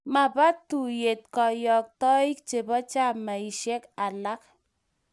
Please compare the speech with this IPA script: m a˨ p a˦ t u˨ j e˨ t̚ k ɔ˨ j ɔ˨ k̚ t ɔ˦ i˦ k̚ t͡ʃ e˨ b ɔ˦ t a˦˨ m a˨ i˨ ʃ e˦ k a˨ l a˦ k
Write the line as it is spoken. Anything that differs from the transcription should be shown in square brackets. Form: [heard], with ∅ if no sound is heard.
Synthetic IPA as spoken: m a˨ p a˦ t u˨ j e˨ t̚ k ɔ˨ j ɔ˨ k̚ t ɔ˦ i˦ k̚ t͡ʃ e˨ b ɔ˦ [t͡ʃ] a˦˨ m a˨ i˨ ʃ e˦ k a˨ l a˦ k